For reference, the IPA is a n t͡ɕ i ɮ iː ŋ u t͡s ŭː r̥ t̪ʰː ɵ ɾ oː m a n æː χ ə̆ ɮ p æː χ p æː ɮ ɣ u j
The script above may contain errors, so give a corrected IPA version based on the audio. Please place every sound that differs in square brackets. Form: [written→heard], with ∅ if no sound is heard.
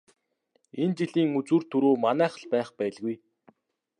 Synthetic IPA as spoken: [a→e] n t͡ɕ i ɮ iː ŋ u t͡s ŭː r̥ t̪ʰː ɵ ɾ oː m a n æː χ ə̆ ɮ p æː χ p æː ɮ ɣ u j